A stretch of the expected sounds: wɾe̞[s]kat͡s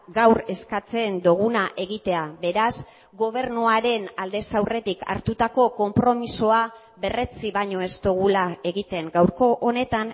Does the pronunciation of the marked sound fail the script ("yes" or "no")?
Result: no